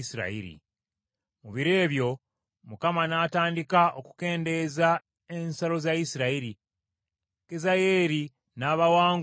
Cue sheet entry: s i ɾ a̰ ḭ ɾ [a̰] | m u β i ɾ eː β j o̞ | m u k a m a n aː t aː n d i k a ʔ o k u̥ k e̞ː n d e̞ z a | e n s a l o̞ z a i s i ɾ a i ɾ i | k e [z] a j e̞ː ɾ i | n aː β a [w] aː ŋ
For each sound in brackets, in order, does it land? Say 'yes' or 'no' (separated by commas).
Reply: no, yes, yes